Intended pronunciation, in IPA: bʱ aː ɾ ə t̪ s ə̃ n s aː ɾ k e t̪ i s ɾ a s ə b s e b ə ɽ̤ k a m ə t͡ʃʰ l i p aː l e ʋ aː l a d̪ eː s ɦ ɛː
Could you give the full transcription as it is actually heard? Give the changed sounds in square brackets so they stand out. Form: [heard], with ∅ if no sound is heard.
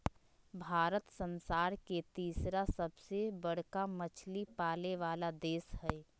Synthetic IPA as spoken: bʱ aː ɾ ə t̪ s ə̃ n s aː ɾ k e t̪ [iː] s ɾ a s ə b s e b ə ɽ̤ k a m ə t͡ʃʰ l i p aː l e ʋ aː l a d̪ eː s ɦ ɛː